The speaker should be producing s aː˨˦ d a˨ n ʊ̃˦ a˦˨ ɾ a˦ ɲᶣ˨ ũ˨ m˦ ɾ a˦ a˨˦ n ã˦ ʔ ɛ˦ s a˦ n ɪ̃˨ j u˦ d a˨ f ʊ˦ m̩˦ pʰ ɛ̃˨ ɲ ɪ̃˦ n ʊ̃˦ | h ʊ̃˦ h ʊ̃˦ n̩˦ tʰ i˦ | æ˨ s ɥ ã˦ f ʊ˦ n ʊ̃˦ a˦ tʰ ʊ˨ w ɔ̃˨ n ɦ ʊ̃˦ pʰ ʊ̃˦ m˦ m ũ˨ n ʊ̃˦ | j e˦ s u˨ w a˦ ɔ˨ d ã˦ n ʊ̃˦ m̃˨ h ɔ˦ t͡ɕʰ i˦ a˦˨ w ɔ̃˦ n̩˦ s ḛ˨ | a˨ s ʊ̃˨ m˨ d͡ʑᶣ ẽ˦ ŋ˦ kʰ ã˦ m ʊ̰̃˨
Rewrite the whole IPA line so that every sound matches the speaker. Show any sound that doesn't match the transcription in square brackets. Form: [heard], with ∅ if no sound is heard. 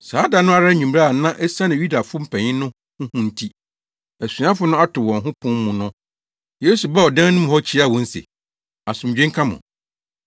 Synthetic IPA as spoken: s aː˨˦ d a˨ n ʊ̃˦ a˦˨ ɾ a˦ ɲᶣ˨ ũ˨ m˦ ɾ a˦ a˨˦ n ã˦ ʔ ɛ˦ s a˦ n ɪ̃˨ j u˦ d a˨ f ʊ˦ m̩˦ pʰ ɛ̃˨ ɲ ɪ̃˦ n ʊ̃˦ | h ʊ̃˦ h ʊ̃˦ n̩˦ tʰ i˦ | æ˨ s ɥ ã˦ f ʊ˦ n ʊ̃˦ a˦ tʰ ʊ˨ w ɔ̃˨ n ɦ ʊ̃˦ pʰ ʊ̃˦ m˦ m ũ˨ n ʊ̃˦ | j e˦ s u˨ [b] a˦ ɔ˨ d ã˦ n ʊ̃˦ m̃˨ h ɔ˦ t͡ɕʰ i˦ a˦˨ w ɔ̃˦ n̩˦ s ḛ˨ | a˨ s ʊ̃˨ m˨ d͡ʑᶣ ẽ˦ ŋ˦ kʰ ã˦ m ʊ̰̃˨

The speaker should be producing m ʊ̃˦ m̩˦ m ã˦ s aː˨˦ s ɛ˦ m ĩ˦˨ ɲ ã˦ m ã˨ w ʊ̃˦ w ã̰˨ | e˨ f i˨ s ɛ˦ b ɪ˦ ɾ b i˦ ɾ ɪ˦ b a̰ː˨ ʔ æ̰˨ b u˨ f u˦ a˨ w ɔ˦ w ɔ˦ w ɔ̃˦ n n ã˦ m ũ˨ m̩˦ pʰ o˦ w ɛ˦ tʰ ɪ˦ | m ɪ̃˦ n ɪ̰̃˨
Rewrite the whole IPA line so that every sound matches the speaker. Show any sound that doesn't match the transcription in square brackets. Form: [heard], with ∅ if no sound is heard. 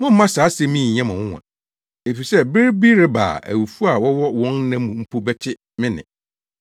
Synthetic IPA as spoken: m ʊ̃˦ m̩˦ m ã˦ s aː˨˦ s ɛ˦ m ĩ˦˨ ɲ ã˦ m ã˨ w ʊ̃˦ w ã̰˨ | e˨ f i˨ s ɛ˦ b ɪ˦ ɾ b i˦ ɾ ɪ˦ b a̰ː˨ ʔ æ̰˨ [w] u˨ f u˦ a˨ w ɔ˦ w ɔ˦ w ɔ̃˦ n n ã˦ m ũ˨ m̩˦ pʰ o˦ [b] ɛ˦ tʰ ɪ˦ | m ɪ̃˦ n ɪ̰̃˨

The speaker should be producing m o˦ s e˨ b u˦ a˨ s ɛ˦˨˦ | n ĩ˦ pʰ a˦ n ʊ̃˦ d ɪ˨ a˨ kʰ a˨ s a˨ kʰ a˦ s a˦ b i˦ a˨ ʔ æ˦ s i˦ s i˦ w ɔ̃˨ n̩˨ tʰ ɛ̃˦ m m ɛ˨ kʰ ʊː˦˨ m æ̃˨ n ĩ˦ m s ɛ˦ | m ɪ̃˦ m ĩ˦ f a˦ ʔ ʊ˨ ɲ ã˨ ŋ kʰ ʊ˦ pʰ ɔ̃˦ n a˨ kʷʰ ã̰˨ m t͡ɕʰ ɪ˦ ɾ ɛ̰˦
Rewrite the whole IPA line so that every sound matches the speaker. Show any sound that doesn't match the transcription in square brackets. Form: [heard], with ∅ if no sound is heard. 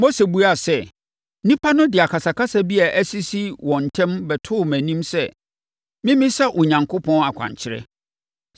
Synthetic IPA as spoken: m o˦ s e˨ b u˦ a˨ s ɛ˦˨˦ | n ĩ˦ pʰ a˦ n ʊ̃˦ d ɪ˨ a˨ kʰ a˨ s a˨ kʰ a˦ s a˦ b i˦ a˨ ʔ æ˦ s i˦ s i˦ w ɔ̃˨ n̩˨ tʰ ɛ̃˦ m [b] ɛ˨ [tʰ] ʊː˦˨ m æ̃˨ n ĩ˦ m s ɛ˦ | m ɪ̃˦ m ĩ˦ [s] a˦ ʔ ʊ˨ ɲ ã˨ ŋ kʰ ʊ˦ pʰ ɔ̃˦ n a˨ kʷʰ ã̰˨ [ɲ] t͡ɕʰ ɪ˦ ɾ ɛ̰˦

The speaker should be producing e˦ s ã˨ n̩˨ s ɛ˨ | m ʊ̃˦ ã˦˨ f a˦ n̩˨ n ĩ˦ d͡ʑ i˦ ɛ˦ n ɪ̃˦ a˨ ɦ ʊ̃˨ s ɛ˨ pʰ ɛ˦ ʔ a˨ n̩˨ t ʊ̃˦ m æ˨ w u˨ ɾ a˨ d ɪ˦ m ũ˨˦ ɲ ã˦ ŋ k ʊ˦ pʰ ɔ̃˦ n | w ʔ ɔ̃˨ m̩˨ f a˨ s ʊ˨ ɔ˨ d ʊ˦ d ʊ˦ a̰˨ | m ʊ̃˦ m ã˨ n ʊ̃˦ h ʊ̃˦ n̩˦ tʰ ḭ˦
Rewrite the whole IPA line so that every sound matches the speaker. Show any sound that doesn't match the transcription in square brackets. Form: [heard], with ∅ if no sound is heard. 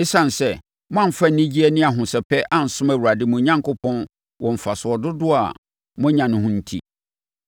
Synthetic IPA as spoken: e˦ s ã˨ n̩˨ s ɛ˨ | m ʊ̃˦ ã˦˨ f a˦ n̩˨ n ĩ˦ d͡ʑ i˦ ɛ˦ n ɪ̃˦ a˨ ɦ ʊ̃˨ s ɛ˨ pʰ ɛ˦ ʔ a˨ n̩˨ [s] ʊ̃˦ m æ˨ w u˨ ɾ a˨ d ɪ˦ m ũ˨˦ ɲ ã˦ ŋ k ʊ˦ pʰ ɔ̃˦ n | w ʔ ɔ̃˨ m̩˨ f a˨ s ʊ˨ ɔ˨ d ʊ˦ d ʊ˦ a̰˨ | m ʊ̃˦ [ɲ] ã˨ n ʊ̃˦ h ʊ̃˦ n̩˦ tʰ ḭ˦

